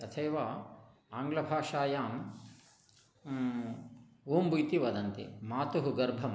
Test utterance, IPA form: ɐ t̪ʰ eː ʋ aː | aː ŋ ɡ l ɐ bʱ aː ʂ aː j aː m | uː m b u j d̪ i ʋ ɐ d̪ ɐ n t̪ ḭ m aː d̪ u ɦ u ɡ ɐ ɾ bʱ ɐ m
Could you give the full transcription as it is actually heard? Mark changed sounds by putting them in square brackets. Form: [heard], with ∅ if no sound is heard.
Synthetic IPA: ɐ t̪ʰ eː ʋ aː | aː ŋ ɡ l ɐ bʱ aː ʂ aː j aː m | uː m b u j [t̪] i ʋ ɐ d̪ ɐ n t̪ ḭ m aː [t̪] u ɦ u ɡ ɐ ɾ bʱ ɐ m